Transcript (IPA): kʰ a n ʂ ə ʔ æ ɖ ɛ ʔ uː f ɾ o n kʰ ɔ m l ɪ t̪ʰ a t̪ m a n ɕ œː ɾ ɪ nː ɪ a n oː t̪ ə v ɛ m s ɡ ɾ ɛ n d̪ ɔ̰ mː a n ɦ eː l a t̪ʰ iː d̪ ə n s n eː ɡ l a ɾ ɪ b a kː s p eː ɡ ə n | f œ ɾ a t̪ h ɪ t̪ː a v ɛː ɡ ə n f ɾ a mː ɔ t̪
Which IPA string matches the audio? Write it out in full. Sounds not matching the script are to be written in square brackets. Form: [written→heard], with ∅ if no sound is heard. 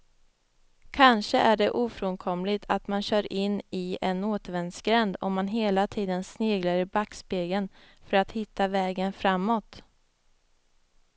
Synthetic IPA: kʰ a n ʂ ə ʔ æ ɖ ɛ ʔ uː f ɾ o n kʰ ɔ m l ɪ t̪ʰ a t̪ m a n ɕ œː ɾ ɪ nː ɪ [a→ɛ] n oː t̪ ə v ɛ [m→n] s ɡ ɾ ɛ n d̪ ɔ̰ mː a n ɦ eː l a t̪ʰ iː d̪ ə n s n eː ɡ l a ɾ ɪ b a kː s p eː ɡ ə n | f œ ɾ a t̪ h ɪ t̪ː a v ɛː ɡ ə n f ɾ a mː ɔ t̪